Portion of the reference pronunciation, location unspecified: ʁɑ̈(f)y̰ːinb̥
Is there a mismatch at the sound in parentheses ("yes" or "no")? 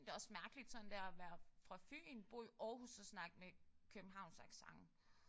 no